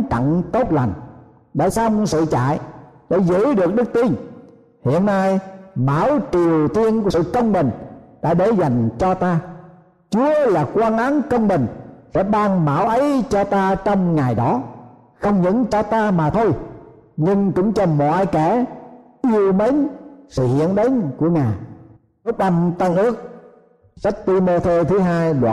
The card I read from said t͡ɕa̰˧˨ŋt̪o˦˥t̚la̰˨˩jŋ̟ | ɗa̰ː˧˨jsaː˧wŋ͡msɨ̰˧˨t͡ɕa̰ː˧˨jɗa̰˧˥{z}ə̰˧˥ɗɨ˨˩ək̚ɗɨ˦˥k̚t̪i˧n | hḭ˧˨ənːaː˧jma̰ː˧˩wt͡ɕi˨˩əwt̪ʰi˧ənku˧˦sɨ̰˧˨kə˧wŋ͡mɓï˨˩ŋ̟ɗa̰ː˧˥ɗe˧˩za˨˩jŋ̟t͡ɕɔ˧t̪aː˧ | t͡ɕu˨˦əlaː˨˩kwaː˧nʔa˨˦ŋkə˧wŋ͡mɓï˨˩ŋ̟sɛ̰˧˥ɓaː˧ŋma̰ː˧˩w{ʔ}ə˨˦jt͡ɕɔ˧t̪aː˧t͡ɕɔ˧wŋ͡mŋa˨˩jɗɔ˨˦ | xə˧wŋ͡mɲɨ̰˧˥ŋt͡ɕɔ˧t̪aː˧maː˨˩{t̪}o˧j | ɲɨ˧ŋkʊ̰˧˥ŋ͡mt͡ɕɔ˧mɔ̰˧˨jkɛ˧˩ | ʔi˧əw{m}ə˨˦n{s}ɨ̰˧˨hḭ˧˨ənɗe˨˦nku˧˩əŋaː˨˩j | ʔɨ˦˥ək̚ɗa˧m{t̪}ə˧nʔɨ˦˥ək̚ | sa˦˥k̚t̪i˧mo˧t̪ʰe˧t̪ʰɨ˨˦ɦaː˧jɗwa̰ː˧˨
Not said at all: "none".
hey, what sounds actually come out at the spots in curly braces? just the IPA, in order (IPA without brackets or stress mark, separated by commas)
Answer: z, ʔ, t̪ʰ, m, s, t̪